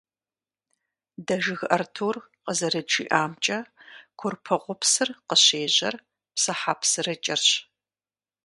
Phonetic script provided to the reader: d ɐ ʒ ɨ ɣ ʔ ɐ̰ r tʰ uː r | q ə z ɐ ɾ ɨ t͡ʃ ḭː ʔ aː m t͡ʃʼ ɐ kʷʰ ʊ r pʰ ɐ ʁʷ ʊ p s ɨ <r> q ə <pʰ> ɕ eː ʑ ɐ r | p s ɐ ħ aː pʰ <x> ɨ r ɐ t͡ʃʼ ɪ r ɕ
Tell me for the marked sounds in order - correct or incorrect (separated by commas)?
correct, incorrect, incorrect